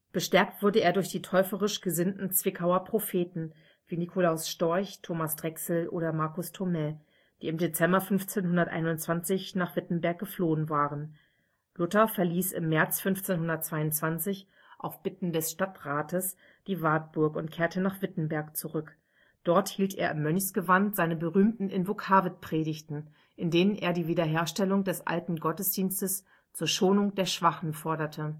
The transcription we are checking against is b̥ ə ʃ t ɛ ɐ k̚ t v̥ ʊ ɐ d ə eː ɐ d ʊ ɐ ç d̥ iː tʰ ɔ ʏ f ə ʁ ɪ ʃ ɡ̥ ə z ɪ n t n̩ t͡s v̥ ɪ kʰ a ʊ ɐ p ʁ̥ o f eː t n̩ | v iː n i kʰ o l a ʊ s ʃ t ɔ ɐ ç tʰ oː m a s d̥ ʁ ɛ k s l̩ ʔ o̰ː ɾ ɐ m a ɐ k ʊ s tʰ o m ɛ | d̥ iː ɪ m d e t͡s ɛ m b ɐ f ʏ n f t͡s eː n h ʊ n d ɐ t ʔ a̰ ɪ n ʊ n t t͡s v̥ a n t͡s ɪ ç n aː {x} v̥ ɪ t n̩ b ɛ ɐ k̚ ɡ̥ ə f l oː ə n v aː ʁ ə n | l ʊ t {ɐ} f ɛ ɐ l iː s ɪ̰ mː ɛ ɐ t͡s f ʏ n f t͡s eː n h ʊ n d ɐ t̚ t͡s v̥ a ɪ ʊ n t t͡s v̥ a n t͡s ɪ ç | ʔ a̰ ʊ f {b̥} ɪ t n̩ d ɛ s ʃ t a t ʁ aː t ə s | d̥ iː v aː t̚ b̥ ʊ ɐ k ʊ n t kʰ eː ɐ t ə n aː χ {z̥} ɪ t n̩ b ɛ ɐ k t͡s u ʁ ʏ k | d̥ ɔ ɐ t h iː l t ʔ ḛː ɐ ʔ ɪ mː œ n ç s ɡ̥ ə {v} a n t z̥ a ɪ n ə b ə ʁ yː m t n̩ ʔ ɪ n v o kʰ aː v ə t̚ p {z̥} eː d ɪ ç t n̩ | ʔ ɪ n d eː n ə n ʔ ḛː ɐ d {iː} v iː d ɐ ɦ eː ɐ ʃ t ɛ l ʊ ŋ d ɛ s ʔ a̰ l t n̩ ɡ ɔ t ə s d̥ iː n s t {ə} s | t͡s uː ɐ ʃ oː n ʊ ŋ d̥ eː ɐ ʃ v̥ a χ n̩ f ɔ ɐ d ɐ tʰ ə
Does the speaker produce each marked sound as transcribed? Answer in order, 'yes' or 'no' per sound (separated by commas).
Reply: no, yes, yes, no, yes, no, yes, yes